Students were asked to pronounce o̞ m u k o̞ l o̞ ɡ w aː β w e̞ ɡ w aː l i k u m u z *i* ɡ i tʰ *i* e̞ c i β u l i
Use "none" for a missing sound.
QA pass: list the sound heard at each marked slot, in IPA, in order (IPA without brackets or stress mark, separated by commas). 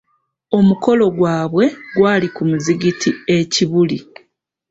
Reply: i, i